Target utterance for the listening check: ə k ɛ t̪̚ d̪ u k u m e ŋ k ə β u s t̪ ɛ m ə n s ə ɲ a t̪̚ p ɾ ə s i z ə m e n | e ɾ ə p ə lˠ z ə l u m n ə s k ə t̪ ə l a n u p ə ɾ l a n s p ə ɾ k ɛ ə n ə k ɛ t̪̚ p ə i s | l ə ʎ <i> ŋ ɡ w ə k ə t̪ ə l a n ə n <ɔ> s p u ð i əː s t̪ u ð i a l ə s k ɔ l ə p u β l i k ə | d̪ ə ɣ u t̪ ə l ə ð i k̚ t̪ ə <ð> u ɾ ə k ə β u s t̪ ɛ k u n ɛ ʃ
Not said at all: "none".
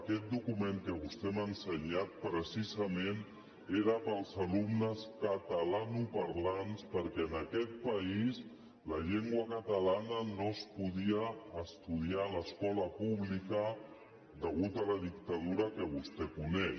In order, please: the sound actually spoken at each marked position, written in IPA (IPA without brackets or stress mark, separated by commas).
e, o, ð